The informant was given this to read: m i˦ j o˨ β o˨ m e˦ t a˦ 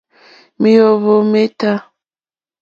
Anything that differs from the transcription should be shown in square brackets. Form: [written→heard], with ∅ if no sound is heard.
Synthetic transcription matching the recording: m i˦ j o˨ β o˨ m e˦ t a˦